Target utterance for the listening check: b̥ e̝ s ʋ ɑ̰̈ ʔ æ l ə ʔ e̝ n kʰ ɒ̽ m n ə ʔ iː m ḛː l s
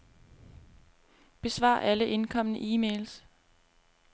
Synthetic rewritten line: b̥ e̝ s ʋ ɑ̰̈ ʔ æ l ə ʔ e̝ n kʰ ɒ̽ m n ə ʔ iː m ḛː l s